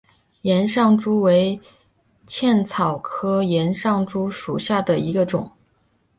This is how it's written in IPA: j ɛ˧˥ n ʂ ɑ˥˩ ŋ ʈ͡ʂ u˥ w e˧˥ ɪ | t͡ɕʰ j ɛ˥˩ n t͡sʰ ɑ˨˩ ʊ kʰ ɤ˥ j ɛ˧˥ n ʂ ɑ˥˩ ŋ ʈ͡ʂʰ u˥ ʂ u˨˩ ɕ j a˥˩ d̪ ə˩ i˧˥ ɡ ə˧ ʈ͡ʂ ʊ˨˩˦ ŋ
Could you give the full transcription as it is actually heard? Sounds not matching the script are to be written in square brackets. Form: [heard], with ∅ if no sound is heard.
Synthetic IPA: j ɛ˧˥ n ʂ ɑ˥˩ ŋ ʈ͡ʂ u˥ w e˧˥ ɪ | t͡ɕʰ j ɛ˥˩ n t͡sʰ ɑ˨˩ ʊ kʰ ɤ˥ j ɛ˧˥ n ʂ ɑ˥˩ ŋ [ʈ͡ʂ] u˥ ʂ u˨˩ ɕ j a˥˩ d̪ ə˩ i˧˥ ɡ ə˧ ʈ͡ʂ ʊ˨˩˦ ŋ